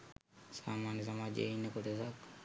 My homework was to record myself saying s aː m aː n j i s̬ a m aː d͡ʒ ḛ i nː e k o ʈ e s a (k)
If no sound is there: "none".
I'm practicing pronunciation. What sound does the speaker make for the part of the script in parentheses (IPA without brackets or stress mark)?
k